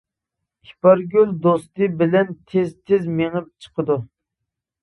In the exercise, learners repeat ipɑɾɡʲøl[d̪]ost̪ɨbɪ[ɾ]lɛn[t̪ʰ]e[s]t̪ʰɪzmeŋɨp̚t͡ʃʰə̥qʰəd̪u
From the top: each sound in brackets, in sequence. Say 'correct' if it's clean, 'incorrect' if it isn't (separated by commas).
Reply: correct, incorrect, correct, incorrect